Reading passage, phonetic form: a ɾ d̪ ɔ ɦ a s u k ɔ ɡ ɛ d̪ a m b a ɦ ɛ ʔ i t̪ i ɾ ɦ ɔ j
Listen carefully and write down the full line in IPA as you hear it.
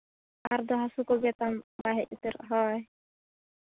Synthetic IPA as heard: a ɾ d̪ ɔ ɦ a s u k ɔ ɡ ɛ t̪ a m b a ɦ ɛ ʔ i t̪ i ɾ ɦ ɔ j